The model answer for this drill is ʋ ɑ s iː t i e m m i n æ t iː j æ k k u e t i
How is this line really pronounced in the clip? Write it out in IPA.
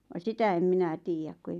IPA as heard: ʋ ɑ s i t æ e m m i n æ t iː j æ k k u e i